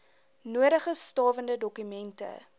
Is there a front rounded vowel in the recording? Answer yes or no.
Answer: yes